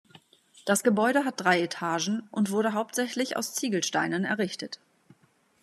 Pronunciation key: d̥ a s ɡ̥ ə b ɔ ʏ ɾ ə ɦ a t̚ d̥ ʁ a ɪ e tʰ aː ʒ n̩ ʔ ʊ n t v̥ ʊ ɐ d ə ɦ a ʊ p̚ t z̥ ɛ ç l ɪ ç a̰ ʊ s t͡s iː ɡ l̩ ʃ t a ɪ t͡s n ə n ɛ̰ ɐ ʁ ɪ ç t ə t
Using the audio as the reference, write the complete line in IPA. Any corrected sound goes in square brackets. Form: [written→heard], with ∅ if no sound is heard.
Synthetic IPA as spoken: d̥ a s ɡ̥ ə b ɔ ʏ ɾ ə ɦ a t̚ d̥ ʁ a ɪ e tʰ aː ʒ n̩ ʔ ʊ n t v̥ ʊ ɐ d ə ɦ a ʊ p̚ t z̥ ɛ ç l ɪ ç a̰ ʊ s t͡s iː ɡ l̩ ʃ t a ɪ [t͡s→∅] n ə n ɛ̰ ɐ ʁ ɪ ç t ə t